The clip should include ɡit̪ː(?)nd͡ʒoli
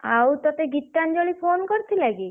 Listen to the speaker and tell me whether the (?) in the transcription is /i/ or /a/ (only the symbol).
a